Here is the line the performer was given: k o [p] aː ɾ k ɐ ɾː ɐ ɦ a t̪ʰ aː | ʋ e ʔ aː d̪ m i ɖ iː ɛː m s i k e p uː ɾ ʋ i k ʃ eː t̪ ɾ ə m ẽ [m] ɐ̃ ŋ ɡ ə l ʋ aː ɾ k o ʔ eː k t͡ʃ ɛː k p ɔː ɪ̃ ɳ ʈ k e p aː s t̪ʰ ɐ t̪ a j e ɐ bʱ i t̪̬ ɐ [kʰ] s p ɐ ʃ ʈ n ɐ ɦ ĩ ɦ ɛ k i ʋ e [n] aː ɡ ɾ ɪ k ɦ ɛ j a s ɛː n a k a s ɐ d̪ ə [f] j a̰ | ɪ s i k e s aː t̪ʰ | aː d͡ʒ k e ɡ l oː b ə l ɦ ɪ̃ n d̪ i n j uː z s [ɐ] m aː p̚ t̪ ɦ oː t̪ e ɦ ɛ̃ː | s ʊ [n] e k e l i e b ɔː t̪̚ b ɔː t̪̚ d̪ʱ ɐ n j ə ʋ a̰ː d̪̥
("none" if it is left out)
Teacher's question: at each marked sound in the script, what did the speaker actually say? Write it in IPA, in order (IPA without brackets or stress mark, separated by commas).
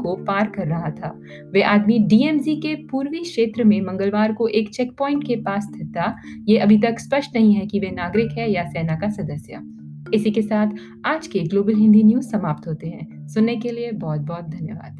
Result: p, m, k, n, s, ɐ, nː